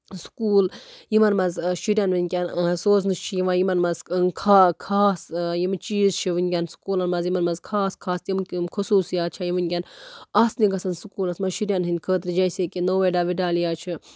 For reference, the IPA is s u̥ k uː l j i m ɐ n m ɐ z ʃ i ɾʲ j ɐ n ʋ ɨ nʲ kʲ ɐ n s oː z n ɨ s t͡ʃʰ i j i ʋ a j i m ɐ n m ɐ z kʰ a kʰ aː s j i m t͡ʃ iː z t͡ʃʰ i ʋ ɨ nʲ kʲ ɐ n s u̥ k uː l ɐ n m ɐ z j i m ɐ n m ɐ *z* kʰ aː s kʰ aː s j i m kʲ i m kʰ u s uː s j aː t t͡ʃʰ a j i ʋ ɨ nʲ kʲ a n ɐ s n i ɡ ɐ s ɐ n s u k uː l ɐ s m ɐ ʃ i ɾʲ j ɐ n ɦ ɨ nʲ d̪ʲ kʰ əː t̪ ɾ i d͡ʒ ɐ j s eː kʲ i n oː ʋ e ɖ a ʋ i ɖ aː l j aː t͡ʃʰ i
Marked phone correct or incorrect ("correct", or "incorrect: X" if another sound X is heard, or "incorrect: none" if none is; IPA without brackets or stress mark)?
correct